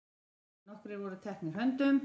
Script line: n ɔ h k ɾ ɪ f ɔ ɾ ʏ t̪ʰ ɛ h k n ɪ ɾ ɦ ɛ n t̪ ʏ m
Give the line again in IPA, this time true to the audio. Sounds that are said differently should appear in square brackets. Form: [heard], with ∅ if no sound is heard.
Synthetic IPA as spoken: n ɔ h k ɾ ɪ [v] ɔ ɾ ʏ t̪ʰ ɛ h k n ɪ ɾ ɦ [œ] n t̪ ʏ m